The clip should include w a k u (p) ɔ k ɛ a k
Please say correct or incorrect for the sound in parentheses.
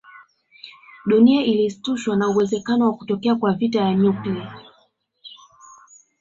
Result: incorrect